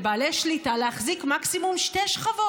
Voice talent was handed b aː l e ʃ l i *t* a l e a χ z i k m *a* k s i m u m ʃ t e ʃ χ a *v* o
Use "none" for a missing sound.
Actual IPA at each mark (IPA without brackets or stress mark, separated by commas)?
t, a, v